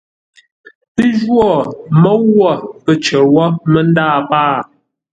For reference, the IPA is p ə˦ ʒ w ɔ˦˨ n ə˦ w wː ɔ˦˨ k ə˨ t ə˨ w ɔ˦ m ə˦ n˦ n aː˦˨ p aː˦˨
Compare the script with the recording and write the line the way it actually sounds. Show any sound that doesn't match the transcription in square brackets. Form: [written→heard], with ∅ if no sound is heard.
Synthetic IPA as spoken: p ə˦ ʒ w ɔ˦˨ [n→m] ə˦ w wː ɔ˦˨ [k→p] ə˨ [t→t͡ʃ] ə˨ w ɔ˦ m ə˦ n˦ [n→d] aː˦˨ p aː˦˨

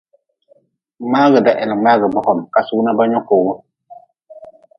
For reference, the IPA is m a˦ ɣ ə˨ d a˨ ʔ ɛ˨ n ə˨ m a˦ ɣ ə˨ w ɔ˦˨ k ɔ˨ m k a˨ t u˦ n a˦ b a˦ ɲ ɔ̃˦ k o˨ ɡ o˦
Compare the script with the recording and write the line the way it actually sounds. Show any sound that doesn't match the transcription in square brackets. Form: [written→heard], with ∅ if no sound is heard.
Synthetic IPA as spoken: m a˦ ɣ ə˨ d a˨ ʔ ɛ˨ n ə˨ m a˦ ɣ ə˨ [w→b] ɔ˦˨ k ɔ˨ m k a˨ [t→s] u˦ n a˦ b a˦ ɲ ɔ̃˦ k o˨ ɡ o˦

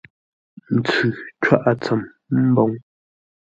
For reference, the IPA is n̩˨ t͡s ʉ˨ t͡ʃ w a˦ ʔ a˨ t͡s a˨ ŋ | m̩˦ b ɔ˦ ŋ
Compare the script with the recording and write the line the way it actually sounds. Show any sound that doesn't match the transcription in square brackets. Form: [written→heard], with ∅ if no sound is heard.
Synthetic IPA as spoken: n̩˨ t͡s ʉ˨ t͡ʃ w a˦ ʔ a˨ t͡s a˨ [ŋ→m] | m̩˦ b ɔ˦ ŋ

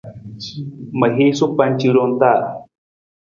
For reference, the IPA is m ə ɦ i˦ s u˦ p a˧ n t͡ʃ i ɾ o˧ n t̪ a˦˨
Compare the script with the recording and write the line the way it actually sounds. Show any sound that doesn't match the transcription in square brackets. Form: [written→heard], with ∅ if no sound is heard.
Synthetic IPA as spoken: m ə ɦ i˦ s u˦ p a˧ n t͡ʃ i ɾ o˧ n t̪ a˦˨

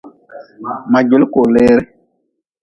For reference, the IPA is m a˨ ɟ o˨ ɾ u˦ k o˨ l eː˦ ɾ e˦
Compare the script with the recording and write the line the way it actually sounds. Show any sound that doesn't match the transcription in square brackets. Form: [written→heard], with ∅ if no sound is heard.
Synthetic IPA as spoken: m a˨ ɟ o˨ [ɾ→l] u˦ k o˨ l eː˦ ɾ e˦

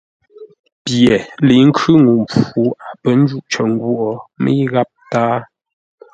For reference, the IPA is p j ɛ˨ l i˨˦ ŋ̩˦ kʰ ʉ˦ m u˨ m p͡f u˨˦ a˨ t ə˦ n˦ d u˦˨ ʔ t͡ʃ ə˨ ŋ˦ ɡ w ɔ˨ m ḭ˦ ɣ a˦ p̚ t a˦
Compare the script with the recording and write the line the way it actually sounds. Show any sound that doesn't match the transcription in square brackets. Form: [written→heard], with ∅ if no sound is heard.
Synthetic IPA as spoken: p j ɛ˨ l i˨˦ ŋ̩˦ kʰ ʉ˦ [m→ŋ] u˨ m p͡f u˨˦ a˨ [t→p] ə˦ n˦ [d→d͡ʒ] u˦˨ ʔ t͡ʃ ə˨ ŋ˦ ɡ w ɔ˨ m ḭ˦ ɣ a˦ p̚ t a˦

